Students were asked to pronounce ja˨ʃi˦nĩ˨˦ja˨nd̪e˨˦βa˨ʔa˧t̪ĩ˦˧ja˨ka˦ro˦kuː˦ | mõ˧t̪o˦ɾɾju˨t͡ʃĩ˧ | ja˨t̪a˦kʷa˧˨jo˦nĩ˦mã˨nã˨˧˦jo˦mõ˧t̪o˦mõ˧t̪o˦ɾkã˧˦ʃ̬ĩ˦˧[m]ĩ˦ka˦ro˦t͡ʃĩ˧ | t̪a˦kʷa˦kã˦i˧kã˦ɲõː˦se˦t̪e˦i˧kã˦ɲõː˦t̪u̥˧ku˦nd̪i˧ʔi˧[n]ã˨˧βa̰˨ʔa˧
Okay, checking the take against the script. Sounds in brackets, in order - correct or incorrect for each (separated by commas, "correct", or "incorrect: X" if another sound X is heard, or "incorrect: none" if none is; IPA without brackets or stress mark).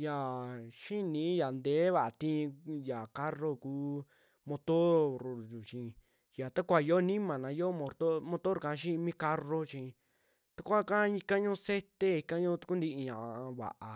correct, incorrect: ɲ